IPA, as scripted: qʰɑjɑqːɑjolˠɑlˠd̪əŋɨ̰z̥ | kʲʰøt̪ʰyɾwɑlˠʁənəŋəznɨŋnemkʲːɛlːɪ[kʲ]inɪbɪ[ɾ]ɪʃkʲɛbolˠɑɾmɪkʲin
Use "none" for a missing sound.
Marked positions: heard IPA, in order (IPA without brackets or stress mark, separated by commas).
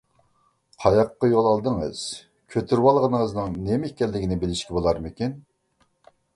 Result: ɡʲ, l